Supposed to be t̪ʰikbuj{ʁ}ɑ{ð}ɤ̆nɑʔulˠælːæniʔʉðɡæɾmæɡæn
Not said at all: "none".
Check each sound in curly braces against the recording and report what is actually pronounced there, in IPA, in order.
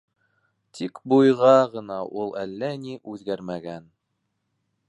ʁ, ʁ

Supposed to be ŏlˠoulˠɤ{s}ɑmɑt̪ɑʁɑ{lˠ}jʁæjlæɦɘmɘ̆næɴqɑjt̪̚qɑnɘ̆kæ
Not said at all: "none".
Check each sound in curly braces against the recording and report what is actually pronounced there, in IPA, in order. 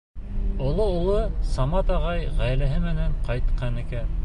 s, none

